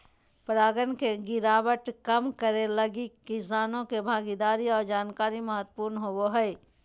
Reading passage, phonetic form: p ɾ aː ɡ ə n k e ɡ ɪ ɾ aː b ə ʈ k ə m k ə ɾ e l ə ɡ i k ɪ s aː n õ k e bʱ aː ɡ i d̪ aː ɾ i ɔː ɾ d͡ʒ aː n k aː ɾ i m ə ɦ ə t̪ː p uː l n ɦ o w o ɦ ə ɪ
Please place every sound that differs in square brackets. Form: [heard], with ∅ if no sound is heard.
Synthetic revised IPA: p ɾ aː ɡ ə n k e ɡ ɪ ɾ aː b ə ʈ k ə m k ə ɾ e l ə ɡ i k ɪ s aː n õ k e bʱ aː ɡ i d̪ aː ɾ i ɔː ɾ d͡ʒ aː n k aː ɾ i m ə ɦ ə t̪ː p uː [ɾ] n ɦ o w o ɦ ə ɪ